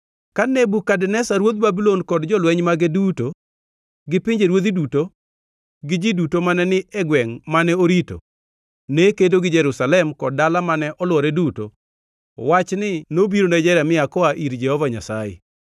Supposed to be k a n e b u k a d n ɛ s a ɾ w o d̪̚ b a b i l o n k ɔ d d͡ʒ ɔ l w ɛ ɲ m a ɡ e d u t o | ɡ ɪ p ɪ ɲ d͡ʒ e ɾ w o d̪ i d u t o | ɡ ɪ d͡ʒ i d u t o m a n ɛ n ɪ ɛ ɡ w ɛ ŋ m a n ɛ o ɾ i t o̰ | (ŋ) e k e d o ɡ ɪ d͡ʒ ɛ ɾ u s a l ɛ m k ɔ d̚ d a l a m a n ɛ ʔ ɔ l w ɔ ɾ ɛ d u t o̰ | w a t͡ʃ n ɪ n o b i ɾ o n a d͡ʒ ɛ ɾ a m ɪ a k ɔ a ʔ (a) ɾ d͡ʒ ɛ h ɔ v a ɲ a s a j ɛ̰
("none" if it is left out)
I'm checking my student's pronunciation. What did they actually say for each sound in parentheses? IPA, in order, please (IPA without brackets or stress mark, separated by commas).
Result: n, i